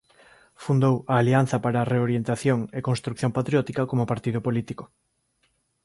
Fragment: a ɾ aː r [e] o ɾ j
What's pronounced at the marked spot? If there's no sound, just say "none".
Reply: e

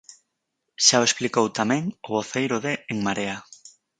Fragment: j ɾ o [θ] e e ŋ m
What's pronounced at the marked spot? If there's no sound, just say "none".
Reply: ð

